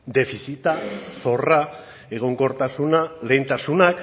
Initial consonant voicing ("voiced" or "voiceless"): voiced